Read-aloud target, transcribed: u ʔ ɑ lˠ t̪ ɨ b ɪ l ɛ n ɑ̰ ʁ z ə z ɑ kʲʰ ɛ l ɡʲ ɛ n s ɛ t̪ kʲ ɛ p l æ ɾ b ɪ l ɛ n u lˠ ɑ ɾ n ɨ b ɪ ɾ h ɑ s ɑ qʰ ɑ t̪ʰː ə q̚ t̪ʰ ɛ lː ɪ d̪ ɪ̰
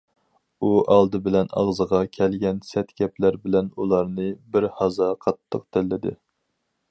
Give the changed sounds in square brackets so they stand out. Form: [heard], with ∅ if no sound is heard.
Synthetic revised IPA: u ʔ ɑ lˠ [d̪] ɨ b ɪ l ɛ n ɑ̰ ʁ z ə [ʁ] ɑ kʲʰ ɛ l ɡʲ ɛ n s ɛ t̪ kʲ ɛ p l æ ɾ b ɪ l ɛ n u lˠ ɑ ɾ n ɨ b ɪ ɾ h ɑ [z] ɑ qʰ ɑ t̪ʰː ə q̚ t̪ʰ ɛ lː ɪ d̪ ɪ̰